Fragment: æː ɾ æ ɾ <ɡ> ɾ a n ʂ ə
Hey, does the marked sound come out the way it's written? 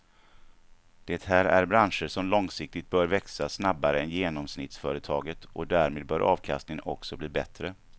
no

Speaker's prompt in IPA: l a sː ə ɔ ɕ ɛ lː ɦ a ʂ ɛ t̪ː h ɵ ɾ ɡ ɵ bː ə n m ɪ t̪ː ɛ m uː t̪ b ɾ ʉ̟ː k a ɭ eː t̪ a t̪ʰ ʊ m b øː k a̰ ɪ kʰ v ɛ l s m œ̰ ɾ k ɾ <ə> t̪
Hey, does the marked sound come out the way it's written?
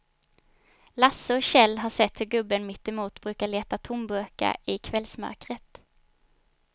yes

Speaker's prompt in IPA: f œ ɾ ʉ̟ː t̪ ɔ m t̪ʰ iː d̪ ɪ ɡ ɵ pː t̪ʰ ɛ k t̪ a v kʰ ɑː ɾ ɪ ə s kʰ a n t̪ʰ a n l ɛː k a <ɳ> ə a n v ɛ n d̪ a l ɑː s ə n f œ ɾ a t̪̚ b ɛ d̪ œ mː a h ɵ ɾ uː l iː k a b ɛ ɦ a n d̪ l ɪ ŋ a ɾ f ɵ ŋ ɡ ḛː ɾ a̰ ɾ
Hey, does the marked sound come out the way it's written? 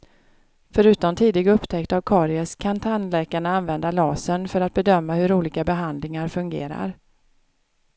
yes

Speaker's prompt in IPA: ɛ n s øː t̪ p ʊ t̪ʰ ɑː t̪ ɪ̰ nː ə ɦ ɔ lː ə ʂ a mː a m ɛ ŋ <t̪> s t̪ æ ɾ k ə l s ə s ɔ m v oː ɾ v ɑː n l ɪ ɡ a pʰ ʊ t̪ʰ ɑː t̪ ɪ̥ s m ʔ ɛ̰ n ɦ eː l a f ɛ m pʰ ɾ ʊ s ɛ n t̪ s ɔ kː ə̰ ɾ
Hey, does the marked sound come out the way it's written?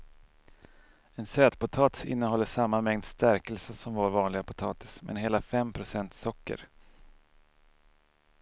no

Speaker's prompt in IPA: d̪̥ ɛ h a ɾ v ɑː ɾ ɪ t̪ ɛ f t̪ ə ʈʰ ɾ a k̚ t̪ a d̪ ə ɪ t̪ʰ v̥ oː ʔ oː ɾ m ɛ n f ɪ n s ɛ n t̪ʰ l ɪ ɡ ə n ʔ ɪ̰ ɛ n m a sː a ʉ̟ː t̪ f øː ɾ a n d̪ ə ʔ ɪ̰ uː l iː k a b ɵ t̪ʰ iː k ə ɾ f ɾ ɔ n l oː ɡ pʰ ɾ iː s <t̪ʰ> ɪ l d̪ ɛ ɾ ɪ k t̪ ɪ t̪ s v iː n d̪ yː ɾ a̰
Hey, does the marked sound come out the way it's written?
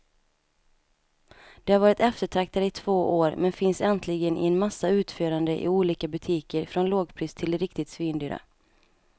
yes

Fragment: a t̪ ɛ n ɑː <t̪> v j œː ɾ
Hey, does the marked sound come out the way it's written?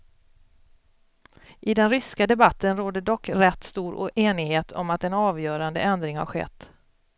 no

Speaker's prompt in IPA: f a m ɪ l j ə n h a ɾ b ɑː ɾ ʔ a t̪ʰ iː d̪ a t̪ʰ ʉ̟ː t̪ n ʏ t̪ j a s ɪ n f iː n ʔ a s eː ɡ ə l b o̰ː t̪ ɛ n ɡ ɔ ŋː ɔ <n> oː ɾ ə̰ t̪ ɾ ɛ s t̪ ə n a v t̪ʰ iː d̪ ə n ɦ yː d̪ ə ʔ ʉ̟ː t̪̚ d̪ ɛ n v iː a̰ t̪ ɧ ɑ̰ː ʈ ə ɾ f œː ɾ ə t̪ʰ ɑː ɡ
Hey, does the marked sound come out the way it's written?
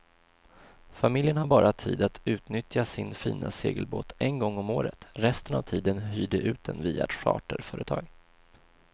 no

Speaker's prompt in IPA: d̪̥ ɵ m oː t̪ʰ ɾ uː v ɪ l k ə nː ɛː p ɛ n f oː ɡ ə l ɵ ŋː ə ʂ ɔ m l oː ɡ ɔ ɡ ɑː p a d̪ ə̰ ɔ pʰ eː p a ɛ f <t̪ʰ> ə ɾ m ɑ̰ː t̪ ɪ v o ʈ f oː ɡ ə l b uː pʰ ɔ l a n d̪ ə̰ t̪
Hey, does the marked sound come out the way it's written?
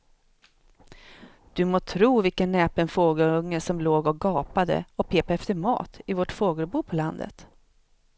no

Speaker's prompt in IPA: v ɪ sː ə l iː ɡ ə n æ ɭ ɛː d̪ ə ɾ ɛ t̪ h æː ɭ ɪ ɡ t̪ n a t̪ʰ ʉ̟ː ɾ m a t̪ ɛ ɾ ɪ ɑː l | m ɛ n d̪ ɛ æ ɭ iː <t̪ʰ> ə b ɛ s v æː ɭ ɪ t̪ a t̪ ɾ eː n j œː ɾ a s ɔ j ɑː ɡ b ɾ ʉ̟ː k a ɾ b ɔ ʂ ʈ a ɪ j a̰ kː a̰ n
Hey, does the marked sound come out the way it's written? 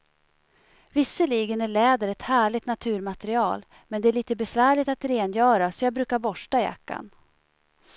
no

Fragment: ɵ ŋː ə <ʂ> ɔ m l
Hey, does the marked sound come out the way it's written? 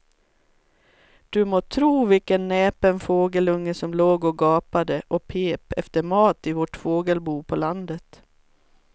no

